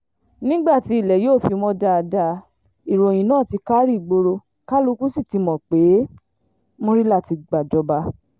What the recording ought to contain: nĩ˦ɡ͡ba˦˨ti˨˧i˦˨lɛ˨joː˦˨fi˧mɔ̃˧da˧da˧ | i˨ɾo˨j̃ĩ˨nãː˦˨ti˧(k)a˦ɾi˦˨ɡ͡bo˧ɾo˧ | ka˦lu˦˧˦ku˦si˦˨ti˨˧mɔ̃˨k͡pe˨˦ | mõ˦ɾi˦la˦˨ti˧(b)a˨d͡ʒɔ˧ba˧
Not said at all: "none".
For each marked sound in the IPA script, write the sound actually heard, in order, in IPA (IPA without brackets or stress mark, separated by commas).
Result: k, ɡ͡b